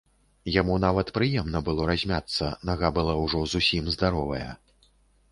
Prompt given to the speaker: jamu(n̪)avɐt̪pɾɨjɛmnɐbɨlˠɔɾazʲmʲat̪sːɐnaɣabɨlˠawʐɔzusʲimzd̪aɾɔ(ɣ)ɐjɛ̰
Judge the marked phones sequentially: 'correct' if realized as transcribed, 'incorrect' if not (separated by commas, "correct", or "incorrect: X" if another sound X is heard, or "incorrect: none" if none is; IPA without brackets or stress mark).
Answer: correct, incorrect: v